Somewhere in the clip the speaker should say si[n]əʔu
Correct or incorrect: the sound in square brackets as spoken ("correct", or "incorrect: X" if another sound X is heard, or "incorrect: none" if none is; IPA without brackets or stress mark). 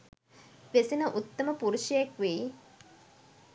correct